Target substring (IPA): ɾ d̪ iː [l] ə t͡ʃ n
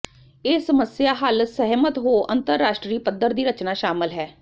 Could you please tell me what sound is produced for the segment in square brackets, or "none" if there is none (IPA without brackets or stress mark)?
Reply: ɾ